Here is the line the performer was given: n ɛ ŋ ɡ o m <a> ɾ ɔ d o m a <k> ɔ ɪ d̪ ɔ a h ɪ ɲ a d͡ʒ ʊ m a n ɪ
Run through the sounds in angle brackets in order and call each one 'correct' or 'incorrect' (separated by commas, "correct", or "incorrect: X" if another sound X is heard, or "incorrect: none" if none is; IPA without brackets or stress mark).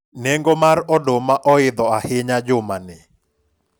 correct, incorrect: ʔ